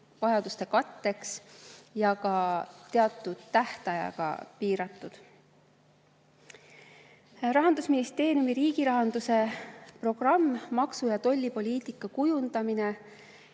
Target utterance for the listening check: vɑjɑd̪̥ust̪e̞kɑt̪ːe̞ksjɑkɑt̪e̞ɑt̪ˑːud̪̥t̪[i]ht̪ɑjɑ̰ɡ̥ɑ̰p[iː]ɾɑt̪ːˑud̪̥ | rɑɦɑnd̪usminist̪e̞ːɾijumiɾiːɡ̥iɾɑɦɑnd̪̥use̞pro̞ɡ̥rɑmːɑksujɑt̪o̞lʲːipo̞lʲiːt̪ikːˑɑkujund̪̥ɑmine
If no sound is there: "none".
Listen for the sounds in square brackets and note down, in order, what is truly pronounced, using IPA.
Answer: æ, iː

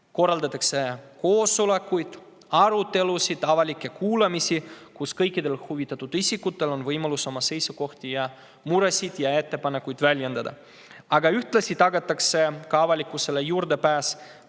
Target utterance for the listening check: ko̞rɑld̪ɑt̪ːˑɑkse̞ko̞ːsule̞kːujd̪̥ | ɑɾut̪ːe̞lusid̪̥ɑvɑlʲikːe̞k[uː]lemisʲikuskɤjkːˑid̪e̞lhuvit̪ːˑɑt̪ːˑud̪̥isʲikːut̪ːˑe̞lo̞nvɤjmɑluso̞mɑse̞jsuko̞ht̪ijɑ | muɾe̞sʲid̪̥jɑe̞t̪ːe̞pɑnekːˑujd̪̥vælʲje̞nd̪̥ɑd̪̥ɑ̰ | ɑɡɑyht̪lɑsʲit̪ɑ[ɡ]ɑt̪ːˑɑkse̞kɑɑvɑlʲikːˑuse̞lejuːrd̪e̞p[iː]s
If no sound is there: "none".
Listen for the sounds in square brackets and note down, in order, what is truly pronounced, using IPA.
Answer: uː, ɡ, æː

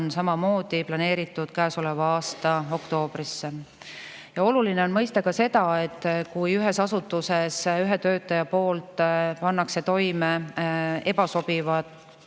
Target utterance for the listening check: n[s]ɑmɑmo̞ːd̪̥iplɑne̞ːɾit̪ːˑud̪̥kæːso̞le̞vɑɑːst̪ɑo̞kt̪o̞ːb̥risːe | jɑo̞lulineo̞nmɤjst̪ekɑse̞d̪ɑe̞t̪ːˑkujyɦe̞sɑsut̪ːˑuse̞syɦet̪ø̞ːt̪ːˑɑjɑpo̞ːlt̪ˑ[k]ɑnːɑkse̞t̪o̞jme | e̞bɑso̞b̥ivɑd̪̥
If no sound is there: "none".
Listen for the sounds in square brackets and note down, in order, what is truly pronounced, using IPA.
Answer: s, p

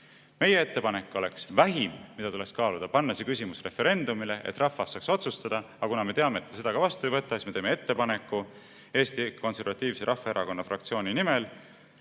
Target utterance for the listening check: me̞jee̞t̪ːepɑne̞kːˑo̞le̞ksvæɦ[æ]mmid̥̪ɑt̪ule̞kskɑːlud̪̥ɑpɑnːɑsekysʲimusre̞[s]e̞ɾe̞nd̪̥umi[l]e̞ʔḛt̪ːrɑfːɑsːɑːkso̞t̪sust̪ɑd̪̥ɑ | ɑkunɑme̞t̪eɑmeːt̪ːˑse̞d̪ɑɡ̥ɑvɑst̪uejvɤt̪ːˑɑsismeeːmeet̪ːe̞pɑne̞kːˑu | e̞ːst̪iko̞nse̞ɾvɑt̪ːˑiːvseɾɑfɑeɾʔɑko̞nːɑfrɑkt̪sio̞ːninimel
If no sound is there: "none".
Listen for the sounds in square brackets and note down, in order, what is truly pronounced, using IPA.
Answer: i, f, l

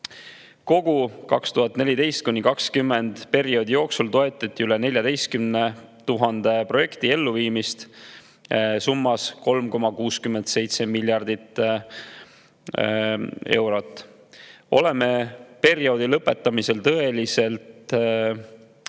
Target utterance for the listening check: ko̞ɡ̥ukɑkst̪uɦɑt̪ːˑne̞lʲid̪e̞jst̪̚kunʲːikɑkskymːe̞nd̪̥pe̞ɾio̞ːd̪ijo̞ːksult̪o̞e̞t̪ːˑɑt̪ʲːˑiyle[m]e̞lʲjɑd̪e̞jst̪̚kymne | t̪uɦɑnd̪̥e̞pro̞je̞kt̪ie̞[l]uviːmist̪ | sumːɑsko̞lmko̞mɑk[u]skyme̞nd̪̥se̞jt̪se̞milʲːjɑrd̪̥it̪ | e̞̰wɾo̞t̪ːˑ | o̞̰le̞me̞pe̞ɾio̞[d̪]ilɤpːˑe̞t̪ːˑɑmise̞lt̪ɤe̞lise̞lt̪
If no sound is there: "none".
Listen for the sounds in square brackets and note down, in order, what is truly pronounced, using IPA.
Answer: n, lː, uː, d̪

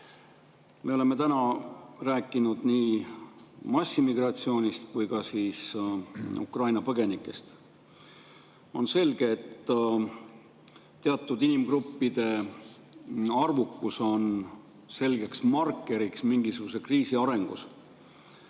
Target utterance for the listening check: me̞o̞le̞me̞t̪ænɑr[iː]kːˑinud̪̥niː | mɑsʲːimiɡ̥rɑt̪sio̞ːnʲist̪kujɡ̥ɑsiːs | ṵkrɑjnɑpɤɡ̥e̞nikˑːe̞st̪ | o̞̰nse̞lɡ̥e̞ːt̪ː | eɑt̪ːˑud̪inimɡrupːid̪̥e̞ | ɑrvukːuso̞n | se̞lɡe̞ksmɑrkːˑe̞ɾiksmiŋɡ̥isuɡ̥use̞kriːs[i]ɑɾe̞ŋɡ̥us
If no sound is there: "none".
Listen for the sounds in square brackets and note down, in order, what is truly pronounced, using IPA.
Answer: æː, i

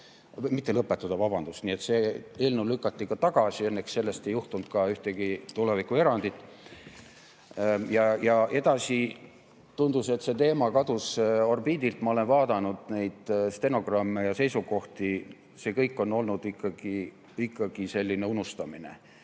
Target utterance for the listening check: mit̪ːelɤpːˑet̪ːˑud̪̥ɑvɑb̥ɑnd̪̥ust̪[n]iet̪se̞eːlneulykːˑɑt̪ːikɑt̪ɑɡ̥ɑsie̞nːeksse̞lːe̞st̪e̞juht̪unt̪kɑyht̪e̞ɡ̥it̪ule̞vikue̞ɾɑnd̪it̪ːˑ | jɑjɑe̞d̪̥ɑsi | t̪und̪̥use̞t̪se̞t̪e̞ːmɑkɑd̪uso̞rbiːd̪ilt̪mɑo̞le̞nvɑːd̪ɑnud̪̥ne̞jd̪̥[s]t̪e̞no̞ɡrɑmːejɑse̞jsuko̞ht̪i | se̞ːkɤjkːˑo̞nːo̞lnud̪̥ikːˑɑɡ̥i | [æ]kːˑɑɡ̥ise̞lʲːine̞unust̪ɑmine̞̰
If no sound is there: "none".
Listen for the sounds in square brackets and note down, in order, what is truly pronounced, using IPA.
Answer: n, s, i

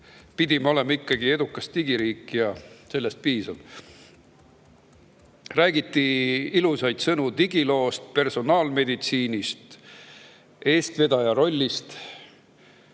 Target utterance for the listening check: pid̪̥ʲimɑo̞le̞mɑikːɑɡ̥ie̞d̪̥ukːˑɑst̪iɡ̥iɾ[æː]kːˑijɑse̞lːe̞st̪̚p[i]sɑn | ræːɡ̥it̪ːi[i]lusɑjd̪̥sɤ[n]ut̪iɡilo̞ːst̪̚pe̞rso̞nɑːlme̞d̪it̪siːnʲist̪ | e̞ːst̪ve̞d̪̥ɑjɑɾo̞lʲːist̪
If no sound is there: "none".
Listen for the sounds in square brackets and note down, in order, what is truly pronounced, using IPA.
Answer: iː, iː, i, n

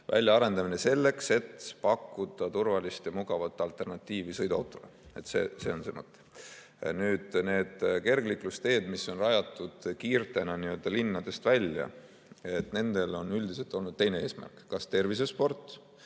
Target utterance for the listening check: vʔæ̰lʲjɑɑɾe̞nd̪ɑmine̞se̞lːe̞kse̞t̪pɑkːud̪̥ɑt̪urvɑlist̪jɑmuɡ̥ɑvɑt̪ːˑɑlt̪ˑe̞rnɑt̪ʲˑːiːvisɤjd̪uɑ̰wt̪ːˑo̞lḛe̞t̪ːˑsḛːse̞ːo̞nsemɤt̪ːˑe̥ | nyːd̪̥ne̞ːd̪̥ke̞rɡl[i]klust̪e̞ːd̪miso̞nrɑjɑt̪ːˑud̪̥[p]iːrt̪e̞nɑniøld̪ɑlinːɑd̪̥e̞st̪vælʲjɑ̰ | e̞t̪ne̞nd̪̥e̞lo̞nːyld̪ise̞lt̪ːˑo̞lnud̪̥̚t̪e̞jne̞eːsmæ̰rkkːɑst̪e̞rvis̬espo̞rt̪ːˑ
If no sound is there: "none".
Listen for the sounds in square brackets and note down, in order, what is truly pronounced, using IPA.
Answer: i, k

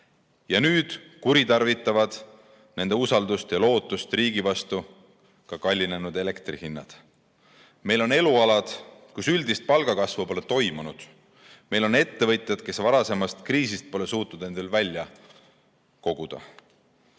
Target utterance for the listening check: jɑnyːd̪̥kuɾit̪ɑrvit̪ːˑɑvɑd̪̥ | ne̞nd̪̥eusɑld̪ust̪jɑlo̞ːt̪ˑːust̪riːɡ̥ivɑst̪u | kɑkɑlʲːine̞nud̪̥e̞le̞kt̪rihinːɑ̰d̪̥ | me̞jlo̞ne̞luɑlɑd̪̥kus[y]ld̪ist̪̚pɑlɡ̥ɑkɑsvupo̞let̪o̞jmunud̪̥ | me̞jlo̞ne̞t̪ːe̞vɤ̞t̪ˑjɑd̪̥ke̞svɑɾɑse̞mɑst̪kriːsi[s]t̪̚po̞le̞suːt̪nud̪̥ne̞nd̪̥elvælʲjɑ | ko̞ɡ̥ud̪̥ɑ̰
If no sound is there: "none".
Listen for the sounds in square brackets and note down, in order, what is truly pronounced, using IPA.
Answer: y, s

